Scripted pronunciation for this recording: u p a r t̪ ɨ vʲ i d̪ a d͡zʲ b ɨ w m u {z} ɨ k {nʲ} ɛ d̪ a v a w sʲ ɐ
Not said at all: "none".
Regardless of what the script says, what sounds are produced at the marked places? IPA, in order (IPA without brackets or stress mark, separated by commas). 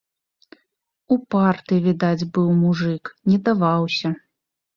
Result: ʐ, nʲ